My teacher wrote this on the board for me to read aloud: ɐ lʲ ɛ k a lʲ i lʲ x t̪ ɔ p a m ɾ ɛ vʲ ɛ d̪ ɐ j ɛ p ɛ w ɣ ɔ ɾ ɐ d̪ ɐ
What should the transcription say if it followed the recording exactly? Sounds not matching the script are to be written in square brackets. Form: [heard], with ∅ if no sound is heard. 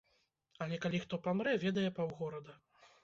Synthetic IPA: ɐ lʲ ɛ k a lʲ i [∅] x t̪ ɔ p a m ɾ ɛ vʲ ɛ d̪ ɐ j ɛ p [a] w ɣ ɔ ɾ ɐ d̪ ɐ